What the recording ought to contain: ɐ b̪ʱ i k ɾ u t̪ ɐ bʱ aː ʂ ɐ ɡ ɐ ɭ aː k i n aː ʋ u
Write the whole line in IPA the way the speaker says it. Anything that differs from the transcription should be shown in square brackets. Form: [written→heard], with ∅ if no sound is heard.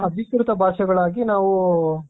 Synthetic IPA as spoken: ɐ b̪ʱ i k ɾ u t̪ ɐ bʱ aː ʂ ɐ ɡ ɐ ɭ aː [k→ɡ] i n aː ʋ u

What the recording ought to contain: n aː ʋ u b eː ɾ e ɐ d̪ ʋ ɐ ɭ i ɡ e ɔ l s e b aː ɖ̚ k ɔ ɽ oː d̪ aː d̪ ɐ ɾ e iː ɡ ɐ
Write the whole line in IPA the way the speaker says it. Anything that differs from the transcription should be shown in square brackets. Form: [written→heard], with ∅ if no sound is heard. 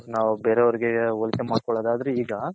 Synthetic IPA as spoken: n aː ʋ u b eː ɾ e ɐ [d̪→∅] ʋ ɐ [ɭ→ɾ] i ɡ e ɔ l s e [b→m] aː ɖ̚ k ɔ [ɽ→ɭ] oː d̪ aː d̪ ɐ ɾ e iː ɡ ɐ

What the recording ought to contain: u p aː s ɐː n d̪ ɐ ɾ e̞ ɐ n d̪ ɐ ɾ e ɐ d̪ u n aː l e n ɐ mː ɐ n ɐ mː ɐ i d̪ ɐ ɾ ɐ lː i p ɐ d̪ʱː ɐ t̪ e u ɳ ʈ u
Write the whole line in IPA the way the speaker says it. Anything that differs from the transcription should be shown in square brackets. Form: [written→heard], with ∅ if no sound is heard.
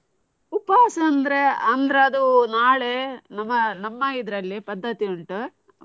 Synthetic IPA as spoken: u p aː s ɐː n d̪ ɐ ɾ e̞ ɐ n d̪ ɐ ɾ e ɐ d̪ u n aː [l→ɭ] e n ɐ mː ɐ n ɐ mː ɐ i d̪ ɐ ɾ ɐ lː i p ɐ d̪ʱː ɐ t̪ [e→i] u ɳ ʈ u

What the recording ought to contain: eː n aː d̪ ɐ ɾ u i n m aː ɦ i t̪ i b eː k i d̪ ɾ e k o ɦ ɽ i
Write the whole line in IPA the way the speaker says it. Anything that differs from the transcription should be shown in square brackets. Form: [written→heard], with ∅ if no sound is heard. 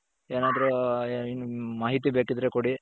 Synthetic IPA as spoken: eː n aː d̪ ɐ ɾ u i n m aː ɦ i t̪ i b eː k i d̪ ɾ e k o [ɦ→∅] ɽ i

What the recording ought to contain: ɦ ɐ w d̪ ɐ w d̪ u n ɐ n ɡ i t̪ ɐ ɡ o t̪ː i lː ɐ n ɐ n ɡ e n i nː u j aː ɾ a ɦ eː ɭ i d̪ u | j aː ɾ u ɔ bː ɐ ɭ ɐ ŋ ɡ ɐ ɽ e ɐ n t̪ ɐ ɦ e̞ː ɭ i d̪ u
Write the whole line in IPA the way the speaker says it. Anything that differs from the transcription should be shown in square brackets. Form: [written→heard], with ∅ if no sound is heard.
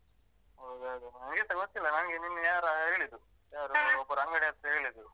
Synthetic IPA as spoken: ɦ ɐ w d̪ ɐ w d̪ u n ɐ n ɡ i t̪ ɐ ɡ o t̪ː i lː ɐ n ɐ n ɡ e n i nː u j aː ɾ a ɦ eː ɭ i d̪ u | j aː ɾ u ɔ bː ɐ [ɭ→ɾ] ɐ ŋ ɡ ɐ ɽ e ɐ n t̪ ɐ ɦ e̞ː ɭ i d̪ u

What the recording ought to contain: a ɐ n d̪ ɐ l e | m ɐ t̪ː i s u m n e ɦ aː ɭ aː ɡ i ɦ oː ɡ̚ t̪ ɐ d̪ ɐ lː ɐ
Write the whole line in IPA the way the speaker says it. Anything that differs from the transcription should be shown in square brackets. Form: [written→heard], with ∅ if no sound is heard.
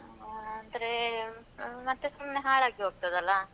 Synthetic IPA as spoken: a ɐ n d̪ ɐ [l→ɾ] e | m ɐ t̪ː [i→e] s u m n e ɦ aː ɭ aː ɡ i ɦ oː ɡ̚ t̪ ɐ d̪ ɐ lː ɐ

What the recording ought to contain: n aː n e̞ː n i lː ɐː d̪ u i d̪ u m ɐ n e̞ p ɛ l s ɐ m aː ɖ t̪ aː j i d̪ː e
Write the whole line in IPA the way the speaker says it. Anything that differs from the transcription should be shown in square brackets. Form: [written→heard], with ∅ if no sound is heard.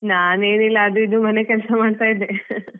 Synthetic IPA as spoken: n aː n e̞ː n i lː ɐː d̪ u i d̪ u m ɐ n e̞ [p→k] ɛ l s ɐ m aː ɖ t̪ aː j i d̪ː e

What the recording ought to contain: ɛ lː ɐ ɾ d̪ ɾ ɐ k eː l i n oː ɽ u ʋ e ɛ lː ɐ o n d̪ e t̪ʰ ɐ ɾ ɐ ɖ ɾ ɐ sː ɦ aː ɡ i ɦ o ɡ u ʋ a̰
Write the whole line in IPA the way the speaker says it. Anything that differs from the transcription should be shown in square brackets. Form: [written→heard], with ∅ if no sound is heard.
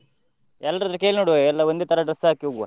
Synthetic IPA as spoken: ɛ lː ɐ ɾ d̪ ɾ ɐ k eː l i n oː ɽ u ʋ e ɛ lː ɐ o n d̪ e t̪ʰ ɐ ɾ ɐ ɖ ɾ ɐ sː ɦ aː [ɡ→k] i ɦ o ɡ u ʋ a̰

